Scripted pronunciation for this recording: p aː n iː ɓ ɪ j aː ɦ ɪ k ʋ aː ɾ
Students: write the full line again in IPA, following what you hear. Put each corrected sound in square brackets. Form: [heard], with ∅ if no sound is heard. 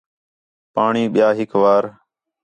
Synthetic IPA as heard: p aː [ɳ] iː ɓ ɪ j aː ɦ ɪ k ʋ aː ɾ

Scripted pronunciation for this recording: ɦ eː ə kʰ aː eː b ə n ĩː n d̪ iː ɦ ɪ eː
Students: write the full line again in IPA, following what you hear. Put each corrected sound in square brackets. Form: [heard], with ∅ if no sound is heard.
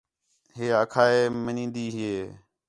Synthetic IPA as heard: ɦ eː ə kʰ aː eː [m] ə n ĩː n d̪ iː ɦ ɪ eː

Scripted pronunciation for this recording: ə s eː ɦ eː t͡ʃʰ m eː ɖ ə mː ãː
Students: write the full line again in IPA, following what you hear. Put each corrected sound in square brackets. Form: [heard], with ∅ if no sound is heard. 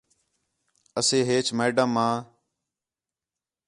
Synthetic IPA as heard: ə s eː ɦ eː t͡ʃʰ m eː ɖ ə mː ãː

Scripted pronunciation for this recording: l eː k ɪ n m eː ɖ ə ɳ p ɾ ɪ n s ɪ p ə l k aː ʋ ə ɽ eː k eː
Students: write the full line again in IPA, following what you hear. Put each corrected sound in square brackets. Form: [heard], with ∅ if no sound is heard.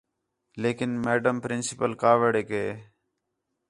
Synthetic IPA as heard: l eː k ɪ n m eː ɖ ə [m] p ɾ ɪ n s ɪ p ə l k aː ʋ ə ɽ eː k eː

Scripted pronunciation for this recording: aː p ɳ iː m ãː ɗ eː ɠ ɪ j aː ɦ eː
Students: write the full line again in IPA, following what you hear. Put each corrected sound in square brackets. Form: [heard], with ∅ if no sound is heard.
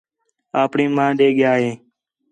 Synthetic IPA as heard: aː p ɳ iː m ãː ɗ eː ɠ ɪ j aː ɦ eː

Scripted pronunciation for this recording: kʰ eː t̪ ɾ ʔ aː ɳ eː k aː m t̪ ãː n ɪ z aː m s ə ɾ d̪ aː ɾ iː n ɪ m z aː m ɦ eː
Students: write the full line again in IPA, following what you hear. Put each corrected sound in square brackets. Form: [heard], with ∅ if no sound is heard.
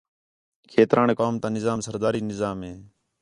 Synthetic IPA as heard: kʰ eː t̪ ɾ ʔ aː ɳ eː k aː m t̪ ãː n ɪ z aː m s ə ɾ d̪ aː ɾ iː n ɪ [∅] z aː m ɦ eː

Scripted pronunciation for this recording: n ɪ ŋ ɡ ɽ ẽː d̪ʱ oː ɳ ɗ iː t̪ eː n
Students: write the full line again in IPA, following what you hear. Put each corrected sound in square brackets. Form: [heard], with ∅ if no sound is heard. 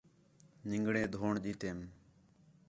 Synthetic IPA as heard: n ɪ ŋ ɡ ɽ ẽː d̪ʱ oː ɳ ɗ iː t̪ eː [m]

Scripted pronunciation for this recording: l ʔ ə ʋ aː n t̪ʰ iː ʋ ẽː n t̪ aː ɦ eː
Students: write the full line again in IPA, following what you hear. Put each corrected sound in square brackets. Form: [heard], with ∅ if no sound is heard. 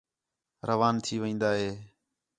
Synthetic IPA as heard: [ɾ] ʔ ə ʋ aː n t̪ʰ iː ʋ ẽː n [d̪] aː ɦ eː

